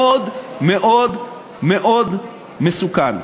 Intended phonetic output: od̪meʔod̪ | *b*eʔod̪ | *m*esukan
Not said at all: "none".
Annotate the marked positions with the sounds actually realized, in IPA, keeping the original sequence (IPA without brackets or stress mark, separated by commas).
m, m